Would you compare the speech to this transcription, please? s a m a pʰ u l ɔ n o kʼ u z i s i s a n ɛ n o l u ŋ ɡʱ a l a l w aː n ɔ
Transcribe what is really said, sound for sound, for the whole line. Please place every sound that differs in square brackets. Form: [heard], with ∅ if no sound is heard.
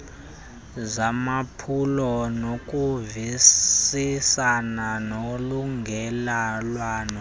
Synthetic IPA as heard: [z] a m a pʰ u l ɔ n o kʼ u [v] i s i s a n [a] n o l u ŋ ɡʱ [ɛ] l a l w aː n ɔ